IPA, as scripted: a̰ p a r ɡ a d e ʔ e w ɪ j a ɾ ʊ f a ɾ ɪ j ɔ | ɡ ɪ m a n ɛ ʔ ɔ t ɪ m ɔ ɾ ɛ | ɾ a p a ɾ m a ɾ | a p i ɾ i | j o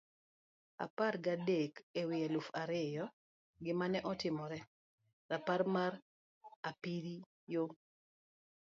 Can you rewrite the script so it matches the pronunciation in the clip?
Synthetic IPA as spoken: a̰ p a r ɡ a d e k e w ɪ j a l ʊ f a ɾ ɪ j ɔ | ɡ ɪ m a n ɛ ʔ ɔ t ɪ m ɔ ɾ ɛ | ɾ a p a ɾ m a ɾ | a p i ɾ i | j o

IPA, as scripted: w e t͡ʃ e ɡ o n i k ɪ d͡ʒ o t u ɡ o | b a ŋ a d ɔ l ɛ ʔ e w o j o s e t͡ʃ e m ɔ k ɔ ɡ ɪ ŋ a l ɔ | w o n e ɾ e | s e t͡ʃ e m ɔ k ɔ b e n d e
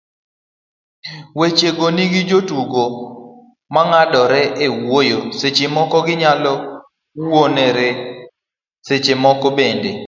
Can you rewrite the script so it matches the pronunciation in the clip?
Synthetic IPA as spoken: w e t͡ʃ e ɡ o n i ɡ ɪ d͡ʒ o t u ɡ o | m a ŋ a d ɔ ɾ ɛ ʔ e w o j o s e t͡ʃ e m ɔ k ɔ ɡ ɪ ɲ a l ɔ | w o n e ɾ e | s e t͡ʃ e m ɔ k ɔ b e n d e

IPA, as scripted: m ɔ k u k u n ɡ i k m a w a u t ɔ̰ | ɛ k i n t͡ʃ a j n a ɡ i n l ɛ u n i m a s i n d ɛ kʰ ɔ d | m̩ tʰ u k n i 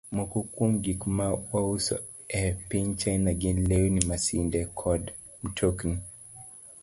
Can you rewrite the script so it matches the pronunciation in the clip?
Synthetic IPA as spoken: m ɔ k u k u m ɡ i k m a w a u s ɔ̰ | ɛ p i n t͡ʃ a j n a ɡ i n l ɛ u n i m a s i n d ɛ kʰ ɔ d | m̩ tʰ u k n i

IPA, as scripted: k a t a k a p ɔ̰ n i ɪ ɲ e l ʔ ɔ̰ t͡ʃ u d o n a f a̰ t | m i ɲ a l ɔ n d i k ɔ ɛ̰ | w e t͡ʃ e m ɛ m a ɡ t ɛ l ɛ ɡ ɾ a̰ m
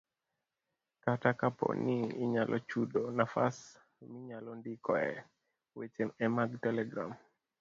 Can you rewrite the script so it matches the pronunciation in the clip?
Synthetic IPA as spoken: k a t a k a p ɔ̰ n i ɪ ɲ a l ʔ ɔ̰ t͡ʃ u d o n a f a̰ s | m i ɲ a l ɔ n d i k ɔ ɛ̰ | w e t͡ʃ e m ɛ m a ɡ t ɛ l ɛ ɡ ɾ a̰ m

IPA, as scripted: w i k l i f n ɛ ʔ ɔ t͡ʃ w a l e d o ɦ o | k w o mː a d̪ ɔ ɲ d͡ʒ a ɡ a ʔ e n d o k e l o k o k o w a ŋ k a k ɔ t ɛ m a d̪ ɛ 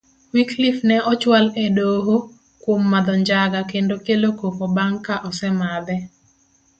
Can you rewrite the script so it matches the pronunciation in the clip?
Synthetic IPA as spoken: w i k l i f n ɛ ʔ ɔ t͡ʃ w a l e d o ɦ o | k w o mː a d̪ ɔ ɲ d͡ʒ a ɡ a k e n d o k e l o k o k o b a ŋ k a ʔ ɔ s ɛ m a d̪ ɛ

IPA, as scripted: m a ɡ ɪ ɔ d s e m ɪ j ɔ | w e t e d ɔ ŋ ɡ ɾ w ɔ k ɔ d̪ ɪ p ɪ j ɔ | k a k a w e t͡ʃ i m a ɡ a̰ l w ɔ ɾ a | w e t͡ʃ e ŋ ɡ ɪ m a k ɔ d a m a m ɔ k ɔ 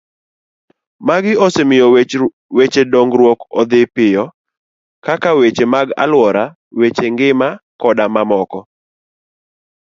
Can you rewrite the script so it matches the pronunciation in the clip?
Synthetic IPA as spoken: m a ɡ ɪ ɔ s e m ɪ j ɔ | w e t͡ʃ e d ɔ ŋ ɡ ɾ w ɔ k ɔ d̪ ɪ p ɪ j ɔ | k a k a w e t͡ʃ e m a ɡ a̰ l w ɔ ɾ a | w e t͡ʃ e ŋ ɡ ɪ m a k ɔ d a m a m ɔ k ɔ

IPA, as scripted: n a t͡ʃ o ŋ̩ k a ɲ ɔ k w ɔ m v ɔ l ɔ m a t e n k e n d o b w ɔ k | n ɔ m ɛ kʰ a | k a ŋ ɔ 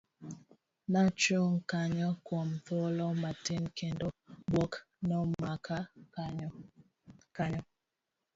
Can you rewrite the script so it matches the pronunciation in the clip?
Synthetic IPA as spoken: n a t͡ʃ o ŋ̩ k a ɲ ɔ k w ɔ m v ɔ l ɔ m a t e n k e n d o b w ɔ k | n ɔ m a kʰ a | k a ɲ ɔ

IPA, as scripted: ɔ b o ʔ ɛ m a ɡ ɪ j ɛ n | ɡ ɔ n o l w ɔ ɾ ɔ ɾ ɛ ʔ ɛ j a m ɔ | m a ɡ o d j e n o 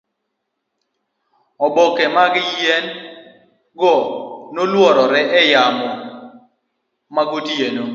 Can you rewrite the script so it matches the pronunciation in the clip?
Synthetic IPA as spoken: ɔ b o k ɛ m a ɡ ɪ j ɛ n | ɡ ɔ n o l w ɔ ɾ ɔ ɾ ɛ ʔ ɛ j a m ɔ | m a ɡ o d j e n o

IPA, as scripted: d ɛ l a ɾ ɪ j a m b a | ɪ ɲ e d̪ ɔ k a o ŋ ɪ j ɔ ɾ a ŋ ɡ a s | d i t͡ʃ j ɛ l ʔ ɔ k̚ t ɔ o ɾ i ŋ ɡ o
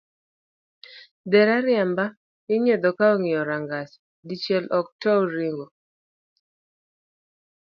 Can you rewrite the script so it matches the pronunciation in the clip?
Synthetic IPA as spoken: d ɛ ɾ a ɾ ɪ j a m b a | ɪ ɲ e d̪ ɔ k a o ŋ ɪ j ɔ ɾ a ŋ ɡ a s | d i t͡ʃ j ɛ l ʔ ɔ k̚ t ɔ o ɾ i ŋ ɡ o

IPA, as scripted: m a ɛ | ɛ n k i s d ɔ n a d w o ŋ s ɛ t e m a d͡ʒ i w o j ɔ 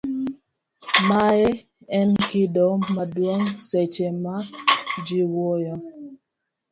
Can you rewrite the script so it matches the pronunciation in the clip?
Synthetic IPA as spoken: m a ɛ | ɛ n k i d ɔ m a d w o ŋ s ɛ t͡ʃ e m a d͡ʒ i w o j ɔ

